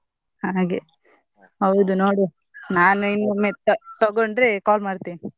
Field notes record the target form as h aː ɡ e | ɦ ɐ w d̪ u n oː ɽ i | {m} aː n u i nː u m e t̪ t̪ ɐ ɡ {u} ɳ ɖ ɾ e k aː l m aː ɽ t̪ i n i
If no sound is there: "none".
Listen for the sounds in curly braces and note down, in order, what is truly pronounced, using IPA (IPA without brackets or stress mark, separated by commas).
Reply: n, o